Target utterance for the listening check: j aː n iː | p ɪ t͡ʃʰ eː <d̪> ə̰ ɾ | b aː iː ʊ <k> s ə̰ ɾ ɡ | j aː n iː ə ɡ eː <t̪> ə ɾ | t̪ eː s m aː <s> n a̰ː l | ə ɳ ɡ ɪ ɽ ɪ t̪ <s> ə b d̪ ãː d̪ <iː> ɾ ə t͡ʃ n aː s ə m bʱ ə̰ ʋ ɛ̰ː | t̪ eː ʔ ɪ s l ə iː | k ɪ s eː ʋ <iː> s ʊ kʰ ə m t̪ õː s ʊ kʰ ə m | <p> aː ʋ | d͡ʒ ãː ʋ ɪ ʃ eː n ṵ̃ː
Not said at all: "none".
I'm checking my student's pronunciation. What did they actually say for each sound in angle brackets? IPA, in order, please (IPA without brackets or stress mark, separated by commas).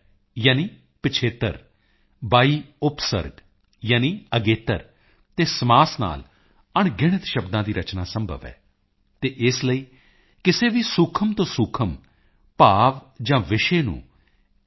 t̪, p, t̪, s, ʃ, iː, iː, p